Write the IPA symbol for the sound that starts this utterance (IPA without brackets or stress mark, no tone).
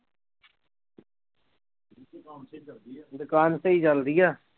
d̪